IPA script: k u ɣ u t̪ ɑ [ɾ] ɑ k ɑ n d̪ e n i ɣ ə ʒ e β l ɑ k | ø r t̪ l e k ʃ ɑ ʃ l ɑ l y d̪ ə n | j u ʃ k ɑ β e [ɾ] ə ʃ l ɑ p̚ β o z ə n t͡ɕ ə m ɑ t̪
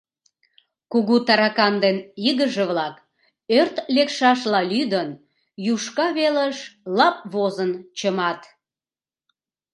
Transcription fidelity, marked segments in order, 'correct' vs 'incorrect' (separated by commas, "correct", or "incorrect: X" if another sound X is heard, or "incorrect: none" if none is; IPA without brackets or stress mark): correct, incorrect: l